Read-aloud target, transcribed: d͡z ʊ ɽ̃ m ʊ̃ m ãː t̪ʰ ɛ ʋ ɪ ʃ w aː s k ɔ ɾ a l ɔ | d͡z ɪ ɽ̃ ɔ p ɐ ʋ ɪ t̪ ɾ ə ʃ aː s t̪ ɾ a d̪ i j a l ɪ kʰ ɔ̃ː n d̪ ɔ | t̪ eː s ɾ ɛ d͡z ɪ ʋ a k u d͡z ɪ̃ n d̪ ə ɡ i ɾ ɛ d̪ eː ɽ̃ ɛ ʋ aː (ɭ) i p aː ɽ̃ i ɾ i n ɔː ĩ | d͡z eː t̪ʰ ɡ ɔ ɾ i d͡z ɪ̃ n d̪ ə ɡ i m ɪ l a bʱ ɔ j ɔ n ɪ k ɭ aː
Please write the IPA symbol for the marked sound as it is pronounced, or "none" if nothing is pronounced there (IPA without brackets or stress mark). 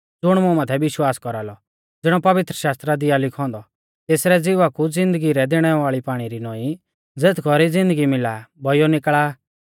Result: ɭ